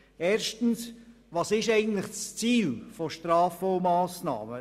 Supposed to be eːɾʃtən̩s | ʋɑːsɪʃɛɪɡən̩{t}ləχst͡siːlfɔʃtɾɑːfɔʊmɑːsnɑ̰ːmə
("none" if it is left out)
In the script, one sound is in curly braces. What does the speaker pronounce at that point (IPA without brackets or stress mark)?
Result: t